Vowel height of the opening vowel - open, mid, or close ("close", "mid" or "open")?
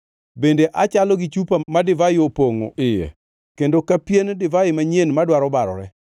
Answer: mid